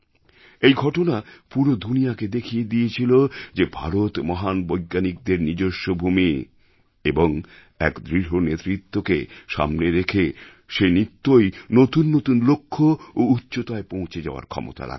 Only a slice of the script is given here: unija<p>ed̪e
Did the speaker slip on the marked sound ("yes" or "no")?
yes